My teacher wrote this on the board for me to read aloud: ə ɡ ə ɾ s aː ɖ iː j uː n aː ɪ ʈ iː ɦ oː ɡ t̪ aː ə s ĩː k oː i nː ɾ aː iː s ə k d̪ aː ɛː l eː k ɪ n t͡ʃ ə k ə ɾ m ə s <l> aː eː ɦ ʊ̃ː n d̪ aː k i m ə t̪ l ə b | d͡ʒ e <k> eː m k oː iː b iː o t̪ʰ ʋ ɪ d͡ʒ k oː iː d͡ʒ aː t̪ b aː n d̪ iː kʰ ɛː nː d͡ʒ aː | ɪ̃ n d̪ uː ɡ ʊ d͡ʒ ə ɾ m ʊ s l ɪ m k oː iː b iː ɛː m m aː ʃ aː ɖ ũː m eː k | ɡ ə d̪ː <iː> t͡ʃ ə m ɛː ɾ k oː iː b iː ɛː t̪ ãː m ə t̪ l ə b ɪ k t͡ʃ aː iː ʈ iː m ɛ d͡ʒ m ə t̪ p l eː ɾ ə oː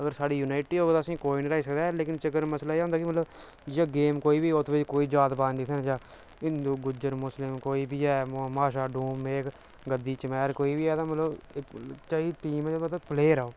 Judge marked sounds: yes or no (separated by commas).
yes, no, yes